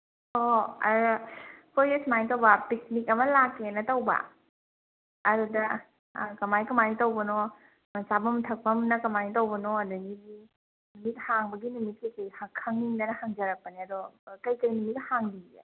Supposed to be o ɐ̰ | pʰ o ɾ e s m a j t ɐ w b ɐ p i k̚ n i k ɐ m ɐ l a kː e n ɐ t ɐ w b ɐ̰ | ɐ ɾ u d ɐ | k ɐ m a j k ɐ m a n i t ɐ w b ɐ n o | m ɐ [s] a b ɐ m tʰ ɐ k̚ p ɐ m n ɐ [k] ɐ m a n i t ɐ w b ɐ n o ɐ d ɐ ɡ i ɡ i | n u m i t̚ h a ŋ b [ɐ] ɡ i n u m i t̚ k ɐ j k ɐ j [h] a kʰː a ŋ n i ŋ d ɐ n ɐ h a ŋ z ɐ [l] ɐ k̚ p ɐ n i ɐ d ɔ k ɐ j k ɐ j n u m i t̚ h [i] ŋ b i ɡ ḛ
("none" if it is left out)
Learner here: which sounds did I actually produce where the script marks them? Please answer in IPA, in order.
s, k, ɐ, h, ɾ, a

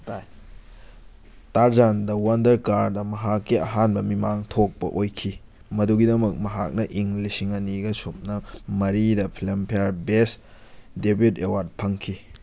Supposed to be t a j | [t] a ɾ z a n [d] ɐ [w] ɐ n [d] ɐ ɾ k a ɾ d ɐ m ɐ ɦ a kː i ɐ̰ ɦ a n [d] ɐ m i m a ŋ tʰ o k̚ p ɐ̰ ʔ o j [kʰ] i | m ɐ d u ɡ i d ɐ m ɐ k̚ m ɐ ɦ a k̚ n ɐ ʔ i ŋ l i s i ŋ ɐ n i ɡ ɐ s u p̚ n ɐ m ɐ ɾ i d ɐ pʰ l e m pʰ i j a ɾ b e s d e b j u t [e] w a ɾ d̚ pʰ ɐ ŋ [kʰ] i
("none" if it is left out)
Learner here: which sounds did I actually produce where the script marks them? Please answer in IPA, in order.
t, d, w, d, b, kʰ, e, kʰ

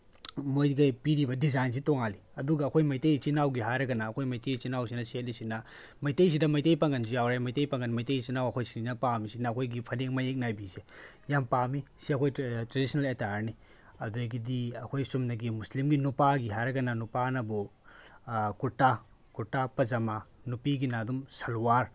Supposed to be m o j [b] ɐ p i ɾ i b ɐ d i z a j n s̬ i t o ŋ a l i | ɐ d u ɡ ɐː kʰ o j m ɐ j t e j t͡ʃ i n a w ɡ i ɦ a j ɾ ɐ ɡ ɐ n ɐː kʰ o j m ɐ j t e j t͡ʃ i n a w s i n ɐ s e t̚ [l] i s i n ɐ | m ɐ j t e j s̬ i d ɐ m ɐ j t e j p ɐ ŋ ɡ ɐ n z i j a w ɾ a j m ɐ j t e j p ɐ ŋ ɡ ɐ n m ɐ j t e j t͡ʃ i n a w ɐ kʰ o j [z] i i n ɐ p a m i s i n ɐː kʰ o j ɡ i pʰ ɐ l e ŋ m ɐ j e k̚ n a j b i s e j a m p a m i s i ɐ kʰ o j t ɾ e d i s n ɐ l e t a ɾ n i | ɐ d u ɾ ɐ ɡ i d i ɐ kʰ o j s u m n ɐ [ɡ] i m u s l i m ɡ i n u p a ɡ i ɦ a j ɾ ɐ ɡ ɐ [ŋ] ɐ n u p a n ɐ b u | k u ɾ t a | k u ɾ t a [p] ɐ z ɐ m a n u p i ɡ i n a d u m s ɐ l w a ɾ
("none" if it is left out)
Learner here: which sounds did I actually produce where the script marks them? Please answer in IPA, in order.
ɡ, l, s, ɡ, n, p

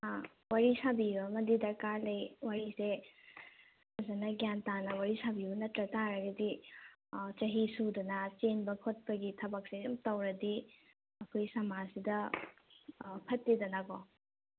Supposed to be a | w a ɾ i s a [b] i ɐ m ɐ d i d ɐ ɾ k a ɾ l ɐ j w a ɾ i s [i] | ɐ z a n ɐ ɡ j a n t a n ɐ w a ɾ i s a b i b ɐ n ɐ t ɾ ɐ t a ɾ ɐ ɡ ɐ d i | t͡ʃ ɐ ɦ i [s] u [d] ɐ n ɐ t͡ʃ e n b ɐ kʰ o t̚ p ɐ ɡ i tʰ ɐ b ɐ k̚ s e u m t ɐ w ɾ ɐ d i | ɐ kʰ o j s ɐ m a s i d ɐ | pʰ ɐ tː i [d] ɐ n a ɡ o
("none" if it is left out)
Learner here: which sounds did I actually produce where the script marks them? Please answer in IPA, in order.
b, e, s, d, d

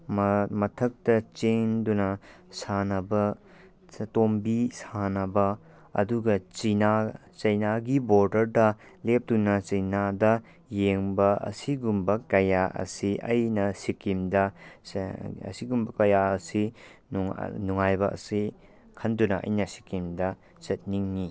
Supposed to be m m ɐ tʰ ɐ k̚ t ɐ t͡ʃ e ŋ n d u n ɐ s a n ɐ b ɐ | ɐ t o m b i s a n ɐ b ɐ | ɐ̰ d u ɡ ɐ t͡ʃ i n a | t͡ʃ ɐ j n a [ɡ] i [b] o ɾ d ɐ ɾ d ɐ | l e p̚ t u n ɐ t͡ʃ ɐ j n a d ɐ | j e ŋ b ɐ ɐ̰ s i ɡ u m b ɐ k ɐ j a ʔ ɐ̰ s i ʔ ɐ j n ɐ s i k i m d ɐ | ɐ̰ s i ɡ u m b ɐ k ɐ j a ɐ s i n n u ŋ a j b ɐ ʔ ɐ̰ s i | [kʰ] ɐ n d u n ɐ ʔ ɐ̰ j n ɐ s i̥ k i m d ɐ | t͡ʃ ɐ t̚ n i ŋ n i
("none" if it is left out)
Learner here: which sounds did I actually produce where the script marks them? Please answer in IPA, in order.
ɡ, b, kʰ

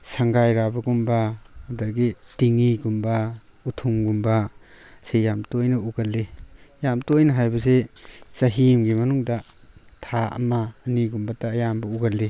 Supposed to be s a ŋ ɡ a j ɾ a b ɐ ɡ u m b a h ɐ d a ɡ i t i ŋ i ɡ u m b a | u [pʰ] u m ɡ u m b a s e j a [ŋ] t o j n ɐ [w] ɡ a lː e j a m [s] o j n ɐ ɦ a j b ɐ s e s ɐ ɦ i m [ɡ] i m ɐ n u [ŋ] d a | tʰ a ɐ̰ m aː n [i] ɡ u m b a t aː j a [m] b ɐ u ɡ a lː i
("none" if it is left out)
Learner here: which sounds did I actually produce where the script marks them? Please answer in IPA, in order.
tʰ, m, u, t, ɡ, ŋ, i, m

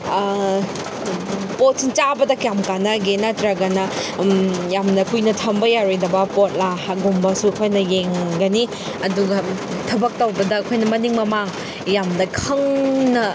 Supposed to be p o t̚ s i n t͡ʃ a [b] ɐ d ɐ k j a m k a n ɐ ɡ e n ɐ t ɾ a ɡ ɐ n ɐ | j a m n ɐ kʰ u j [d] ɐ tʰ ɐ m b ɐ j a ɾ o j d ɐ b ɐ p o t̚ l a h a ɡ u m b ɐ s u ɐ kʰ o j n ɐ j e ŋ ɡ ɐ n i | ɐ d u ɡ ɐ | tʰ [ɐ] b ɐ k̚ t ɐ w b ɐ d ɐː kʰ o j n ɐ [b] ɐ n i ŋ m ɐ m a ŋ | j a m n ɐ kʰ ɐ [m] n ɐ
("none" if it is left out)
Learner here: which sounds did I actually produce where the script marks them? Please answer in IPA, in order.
b, n, ɐ, m, ŋ

